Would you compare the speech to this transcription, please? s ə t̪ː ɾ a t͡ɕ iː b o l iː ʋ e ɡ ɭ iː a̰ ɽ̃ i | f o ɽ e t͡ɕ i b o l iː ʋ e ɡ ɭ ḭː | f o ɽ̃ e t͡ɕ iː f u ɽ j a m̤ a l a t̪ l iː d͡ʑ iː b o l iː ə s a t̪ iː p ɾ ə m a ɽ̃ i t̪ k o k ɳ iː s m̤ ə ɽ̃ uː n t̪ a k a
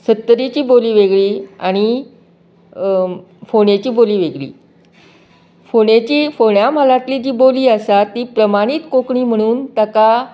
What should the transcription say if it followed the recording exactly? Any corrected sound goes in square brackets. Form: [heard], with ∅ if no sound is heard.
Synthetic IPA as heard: s ə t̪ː ɾ [i] t͡ɕ iː b o l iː ʋ e ɡ ɭ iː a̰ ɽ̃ i | f o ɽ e t͡ɕ [iː] b o l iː ʋ e ɡ ɭ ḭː | f o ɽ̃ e t͡ɕ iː f [o] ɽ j a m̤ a l a t̪ l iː d͡ʑ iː b o l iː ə s a t̪ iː p ɾ ə m a ɽ̃ i t̪ k o k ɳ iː [∅] m̤ ə ɽ̃ uː n t̪ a k a